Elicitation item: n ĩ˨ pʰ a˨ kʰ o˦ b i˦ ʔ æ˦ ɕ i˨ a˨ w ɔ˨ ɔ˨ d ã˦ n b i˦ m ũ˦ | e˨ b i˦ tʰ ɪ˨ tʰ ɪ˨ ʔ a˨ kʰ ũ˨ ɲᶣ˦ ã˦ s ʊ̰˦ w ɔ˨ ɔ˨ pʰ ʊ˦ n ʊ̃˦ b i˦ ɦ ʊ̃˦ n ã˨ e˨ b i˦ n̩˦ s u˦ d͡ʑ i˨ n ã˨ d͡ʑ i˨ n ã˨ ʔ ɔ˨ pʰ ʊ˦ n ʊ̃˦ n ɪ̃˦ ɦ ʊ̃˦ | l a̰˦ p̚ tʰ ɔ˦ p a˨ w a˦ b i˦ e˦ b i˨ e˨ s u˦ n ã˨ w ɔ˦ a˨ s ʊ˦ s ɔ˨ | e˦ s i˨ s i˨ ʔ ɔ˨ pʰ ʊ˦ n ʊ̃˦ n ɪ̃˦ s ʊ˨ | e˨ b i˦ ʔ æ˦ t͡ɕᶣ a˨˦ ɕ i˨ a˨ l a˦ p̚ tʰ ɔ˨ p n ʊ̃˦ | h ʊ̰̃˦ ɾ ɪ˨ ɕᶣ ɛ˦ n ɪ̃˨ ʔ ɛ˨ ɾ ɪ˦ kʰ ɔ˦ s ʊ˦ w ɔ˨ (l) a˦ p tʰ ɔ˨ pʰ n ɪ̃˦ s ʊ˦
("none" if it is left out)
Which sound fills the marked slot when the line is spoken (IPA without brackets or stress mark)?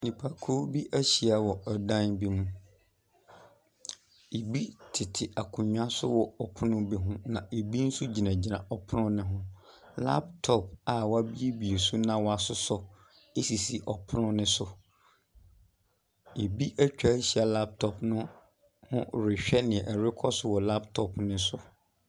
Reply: l